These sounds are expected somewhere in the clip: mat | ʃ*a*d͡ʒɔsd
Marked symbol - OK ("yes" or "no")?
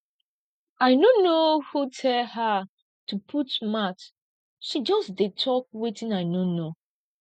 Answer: no